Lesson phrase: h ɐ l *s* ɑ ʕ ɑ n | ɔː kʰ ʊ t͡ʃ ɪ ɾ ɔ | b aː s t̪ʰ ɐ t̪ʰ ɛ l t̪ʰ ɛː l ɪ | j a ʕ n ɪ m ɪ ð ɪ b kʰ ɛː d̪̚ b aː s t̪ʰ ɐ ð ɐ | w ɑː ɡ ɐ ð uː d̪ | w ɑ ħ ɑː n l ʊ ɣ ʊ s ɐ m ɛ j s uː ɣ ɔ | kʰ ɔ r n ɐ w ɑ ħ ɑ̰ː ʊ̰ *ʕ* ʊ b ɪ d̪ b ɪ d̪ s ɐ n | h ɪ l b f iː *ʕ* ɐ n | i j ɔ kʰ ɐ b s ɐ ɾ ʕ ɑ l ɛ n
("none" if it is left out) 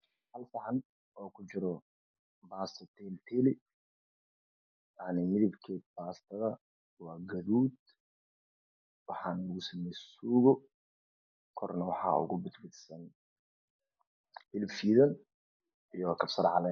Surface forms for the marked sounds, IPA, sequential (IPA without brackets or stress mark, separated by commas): f, ɣ, ð